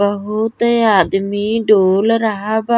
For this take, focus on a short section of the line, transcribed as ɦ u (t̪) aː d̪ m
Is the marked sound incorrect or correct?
correct